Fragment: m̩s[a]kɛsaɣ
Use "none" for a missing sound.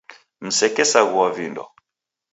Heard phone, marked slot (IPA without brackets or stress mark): ɛ